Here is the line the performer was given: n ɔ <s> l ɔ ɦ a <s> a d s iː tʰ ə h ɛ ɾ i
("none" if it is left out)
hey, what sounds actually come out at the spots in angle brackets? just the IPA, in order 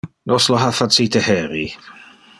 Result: s, f

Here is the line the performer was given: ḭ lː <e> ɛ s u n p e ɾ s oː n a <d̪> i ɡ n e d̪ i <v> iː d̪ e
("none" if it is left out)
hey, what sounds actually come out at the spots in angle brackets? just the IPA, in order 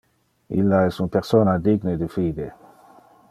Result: a, d̪, f

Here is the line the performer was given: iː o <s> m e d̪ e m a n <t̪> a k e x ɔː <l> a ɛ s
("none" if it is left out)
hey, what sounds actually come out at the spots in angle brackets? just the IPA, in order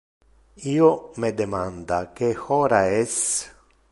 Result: none, d̪, ɾ

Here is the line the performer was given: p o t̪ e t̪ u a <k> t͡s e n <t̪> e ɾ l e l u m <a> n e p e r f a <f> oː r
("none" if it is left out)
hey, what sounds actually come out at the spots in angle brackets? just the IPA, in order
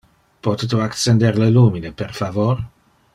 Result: k, d̪, i, v

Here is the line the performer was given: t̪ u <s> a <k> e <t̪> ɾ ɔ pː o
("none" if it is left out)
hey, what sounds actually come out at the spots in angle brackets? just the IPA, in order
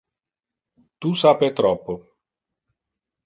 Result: s, p, t̪

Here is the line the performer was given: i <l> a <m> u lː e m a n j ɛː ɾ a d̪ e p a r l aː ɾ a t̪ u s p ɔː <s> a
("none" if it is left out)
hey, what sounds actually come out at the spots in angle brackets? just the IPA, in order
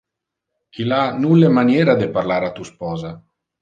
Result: l, n, z

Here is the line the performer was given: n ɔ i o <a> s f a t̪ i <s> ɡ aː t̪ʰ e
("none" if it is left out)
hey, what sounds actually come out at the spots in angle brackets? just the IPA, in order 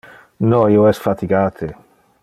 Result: ɛ, none

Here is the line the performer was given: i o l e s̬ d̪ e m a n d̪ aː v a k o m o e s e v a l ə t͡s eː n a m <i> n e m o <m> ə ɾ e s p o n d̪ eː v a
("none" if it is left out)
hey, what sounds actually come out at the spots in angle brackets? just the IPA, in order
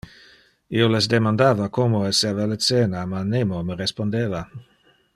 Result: a, m

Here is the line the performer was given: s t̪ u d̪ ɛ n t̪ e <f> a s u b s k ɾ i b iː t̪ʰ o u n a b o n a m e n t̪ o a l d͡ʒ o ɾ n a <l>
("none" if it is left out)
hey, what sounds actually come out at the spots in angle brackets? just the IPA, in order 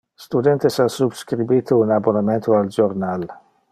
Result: s, l

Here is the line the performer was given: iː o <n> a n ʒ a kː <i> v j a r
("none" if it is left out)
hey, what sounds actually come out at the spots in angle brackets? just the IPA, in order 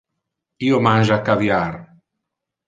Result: m, a

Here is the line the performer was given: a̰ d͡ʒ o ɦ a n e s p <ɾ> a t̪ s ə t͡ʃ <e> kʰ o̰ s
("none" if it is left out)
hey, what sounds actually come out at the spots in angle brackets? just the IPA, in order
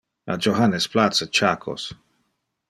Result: l, a

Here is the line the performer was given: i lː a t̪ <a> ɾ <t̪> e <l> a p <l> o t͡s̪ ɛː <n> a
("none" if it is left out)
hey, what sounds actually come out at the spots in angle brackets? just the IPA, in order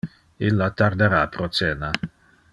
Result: a, d̪, ɾ, ɾ, n

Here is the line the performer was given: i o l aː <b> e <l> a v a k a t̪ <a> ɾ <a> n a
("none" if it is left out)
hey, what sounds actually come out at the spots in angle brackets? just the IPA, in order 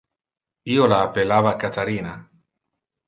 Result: p, l, a, i

